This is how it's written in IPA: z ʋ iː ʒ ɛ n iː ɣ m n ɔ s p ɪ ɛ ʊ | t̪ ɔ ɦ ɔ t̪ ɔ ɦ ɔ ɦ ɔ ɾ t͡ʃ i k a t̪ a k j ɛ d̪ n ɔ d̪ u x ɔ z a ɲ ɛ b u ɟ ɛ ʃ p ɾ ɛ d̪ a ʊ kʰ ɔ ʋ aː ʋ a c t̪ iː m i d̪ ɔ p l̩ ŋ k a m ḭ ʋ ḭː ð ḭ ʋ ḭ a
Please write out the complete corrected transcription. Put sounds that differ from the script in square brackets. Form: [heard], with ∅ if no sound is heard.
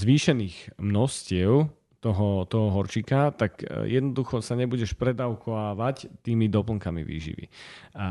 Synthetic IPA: z ʋ iː [ʃ] ɛ n iː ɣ m n ɔ s [c] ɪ ɛ ʊ | t̪ ɔ ɦ ɔ t̪ ɔ ɦ ɔ ɦ ɔ ɾ t͡ʃ i k a t̪ a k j ɛ d̪ n ɔ d̪ u x ɔ [s] a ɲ ɛ b u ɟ ɛ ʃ p ɾ ɛ d̪ a ʊ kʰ ɔ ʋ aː ʋ a c t̪ iː m i d̪ ɔ p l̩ ŋ k a m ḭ ʋ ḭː [ʒ] ḭ ʋ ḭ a